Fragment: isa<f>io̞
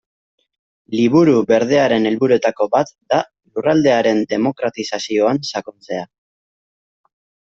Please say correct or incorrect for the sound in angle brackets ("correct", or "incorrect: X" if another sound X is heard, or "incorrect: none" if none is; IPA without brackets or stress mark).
incorrect: s